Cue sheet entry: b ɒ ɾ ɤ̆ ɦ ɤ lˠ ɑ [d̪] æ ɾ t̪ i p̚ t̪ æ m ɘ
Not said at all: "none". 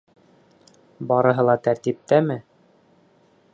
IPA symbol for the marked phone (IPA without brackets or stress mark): t̪